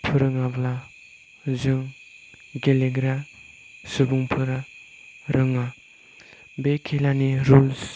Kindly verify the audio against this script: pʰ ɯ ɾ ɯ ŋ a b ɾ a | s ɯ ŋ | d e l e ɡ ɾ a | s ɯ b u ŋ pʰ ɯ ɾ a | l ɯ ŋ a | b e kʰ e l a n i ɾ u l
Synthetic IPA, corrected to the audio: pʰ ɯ ɾ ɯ ŋ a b l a | z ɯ ŋ | ɡ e l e ɡ ɾ a | s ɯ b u ŋ pʰ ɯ ɾ a | ɾ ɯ ŋ a | b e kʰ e l a n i ɾ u l